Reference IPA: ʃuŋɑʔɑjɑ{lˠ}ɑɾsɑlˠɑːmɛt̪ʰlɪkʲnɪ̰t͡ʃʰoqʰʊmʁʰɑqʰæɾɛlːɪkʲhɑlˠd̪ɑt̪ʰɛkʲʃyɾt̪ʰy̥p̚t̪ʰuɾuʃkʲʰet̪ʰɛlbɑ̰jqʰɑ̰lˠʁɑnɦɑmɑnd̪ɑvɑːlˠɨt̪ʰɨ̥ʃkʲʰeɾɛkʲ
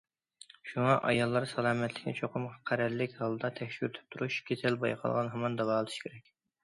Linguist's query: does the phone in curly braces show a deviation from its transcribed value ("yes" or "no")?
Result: yes